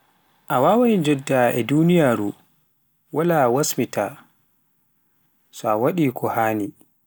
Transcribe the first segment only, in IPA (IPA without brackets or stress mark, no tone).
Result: ʔ